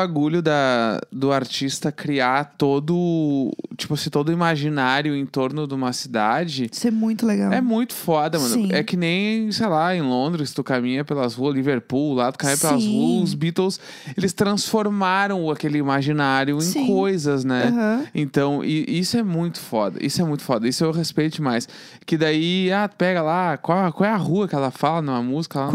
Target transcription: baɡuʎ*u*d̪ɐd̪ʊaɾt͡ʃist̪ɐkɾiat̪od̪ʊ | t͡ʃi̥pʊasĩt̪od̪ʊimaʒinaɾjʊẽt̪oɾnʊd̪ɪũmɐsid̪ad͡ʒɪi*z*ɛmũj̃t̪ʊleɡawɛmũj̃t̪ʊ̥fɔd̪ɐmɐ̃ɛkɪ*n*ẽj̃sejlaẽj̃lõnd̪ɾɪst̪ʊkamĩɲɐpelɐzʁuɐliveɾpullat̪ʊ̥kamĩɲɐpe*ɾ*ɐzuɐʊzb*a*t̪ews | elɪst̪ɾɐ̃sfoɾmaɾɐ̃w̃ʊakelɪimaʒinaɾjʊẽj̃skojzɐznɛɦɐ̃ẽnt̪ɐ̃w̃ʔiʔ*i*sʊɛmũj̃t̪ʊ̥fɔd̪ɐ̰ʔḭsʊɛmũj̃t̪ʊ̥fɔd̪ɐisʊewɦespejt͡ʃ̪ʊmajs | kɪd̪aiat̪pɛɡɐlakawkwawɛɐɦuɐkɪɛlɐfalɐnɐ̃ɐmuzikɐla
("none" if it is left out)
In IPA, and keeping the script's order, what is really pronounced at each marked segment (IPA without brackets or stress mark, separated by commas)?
ʊ, s, n, l, i, i